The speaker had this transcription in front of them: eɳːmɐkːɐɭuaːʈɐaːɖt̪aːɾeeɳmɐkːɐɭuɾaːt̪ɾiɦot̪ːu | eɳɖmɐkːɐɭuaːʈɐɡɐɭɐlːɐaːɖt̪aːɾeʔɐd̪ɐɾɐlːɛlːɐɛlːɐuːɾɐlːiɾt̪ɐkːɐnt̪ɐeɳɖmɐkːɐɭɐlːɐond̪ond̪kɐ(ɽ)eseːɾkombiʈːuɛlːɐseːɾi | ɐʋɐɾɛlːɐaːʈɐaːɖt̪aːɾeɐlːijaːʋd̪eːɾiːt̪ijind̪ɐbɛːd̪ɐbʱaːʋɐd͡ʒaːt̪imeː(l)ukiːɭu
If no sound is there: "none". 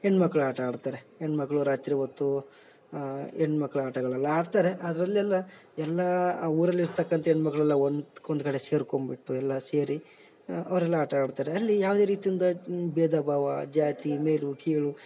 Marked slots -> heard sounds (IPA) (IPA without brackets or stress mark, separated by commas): ɽ, l